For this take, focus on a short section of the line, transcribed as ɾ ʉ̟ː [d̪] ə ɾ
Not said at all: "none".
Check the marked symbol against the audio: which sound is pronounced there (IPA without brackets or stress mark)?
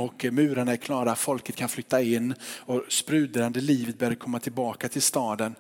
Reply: d̪